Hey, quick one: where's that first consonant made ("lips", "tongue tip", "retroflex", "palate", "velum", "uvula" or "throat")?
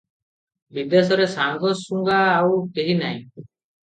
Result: lips